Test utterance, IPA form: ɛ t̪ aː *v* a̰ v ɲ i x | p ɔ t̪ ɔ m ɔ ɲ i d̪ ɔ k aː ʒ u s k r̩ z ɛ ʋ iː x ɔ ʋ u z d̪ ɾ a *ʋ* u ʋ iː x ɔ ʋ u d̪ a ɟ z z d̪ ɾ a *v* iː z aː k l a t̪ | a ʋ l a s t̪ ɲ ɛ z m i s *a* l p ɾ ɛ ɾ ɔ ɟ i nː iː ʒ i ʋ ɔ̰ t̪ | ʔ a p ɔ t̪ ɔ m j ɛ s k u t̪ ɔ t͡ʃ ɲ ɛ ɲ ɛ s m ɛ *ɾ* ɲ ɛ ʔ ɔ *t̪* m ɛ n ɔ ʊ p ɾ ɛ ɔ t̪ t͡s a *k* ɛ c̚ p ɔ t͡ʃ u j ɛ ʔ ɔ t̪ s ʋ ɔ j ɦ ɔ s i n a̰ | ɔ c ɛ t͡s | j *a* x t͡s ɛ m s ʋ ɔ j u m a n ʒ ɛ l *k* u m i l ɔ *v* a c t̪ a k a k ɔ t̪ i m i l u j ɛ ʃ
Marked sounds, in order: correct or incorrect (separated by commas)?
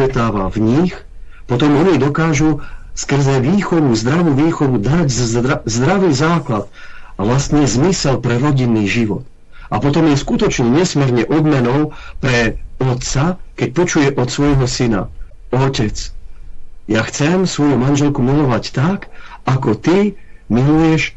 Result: incorrect, correct, incorrect, incorrect, correct, incorrect, correct, correct, correct, incorrect